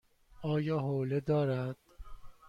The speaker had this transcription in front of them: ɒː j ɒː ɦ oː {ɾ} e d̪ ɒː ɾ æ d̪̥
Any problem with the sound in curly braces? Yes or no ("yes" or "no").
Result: yes